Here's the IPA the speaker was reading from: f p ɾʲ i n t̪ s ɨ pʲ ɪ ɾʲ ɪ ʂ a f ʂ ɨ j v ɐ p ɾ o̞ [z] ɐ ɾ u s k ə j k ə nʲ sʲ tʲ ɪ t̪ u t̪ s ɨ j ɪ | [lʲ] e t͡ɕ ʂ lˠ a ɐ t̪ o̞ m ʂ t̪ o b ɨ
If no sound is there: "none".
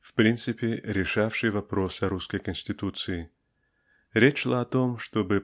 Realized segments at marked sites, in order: s, ɾʲ

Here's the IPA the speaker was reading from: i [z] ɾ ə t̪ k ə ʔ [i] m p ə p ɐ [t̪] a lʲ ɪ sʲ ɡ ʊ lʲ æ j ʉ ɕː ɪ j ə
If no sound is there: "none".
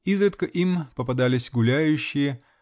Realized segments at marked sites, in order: z, i, d̪

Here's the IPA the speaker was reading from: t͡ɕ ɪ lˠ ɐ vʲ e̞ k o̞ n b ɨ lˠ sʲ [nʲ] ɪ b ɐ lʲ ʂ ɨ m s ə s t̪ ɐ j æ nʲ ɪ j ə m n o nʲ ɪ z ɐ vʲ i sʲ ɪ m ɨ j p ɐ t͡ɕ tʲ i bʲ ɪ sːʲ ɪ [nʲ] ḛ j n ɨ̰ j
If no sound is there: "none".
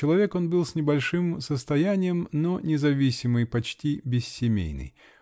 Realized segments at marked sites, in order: nʲ, mʲ

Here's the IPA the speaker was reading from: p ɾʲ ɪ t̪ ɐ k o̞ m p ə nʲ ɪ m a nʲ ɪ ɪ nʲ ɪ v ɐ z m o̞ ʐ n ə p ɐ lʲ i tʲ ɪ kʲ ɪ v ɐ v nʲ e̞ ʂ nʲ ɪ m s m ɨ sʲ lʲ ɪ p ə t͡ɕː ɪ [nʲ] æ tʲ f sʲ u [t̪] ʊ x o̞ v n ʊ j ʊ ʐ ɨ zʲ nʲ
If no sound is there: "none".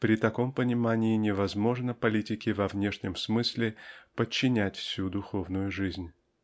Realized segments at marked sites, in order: nʲ, d̪

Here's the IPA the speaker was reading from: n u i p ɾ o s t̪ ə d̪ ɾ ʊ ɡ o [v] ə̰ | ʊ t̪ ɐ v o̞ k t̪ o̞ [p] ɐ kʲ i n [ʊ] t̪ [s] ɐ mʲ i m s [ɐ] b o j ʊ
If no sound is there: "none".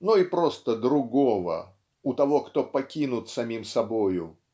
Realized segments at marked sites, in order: v, p, ʊ, s, ɐ

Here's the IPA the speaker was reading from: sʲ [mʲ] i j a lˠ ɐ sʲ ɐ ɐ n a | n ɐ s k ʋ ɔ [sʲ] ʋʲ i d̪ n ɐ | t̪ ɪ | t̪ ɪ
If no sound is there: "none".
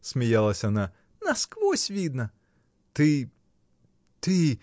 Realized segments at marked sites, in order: mʲ, sʲ

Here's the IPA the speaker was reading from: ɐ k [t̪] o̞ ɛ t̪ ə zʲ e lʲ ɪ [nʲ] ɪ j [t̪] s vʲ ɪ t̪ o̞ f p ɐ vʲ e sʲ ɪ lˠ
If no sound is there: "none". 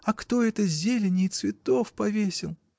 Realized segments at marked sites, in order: t̪, nʲ, t̪

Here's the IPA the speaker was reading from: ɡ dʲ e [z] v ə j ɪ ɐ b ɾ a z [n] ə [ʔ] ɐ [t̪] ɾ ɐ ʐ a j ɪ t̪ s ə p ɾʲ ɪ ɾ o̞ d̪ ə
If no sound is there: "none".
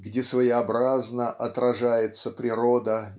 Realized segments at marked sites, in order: s, n, ʔ, t̪

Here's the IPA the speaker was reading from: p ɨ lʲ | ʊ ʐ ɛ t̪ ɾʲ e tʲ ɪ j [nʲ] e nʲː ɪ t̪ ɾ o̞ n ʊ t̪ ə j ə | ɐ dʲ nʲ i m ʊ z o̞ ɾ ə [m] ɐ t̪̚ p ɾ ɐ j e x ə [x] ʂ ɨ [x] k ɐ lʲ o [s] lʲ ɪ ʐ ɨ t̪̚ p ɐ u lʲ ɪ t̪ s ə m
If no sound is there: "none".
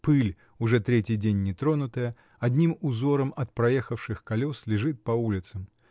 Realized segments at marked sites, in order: dʲ, m, f, x, s

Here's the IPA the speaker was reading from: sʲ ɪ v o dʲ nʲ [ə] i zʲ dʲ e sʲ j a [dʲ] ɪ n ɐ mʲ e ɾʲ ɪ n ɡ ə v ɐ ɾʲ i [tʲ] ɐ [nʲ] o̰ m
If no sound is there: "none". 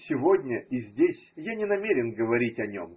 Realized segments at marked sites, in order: ə, nʲ, tʲ, nʲ

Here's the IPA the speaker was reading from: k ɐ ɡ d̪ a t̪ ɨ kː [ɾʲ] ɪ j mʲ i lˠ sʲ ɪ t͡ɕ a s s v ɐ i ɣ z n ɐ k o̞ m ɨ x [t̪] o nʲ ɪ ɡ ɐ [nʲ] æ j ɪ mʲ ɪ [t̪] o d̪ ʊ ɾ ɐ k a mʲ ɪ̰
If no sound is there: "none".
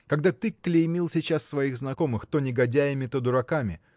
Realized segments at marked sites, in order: lʲ, t̪, dʲ, t̪

